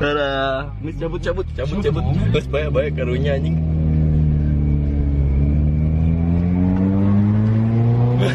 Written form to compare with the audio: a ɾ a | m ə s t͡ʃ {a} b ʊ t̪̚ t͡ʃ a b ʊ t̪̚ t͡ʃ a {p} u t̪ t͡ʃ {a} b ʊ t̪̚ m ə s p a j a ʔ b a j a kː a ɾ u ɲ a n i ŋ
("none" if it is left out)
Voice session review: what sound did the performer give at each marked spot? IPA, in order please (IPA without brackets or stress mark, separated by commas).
a, b, a